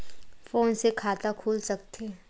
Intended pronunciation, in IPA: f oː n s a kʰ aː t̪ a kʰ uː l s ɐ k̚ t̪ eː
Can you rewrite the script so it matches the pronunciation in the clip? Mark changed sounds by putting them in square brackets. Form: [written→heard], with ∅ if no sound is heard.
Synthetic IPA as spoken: f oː n s [a→e] kʰ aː t̪ a kʰ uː l s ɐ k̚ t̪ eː